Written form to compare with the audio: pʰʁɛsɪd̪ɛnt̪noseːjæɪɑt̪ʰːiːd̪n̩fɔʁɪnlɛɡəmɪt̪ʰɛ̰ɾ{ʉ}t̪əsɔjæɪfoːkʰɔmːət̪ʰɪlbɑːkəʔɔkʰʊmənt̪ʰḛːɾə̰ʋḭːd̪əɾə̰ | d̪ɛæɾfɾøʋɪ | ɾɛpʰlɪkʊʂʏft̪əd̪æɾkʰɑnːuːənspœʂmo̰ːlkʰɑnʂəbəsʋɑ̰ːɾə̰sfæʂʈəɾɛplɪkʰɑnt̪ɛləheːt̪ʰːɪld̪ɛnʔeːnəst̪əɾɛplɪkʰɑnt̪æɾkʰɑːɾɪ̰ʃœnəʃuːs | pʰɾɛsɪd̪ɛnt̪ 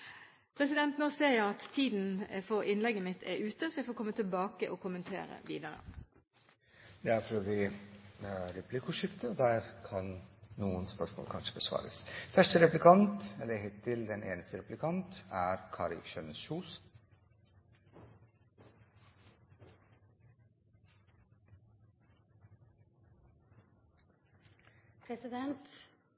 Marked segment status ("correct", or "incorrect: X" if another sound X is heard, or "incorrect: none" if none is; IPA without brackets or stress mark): incorrect: ʉː